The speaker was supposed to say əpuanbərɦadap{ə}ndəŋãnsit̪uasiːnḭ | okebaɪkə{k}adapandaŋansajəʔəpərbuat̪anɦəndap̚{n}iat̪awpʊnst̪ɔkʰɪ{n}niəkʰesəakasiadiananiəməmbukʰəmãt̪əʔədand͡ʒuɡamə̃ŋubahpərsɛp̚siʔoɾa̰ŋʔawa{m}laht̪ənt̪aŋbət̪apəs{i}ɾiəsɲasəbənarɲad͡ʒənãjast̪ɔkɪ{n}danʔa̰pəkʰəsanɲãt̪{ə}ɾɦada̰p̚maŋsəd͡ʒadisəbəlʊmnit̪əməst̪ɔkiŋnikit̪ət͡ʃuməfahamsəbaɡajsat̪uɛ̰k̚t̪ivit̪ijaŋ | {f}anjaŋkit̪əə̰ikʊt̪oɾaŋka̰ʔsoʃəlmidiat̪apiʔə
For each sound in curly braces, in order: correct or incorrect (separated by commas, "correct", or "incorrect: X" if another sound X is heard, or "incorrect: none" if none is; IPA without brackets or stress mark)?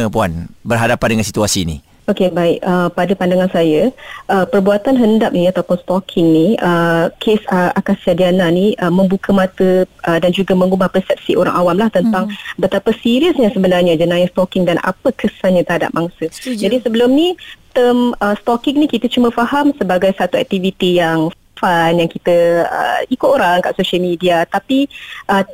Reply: incorrect: a, incorrect: p, correct, incorrect: ŋ, correct, correct, incorrect: ŋ, correct, correct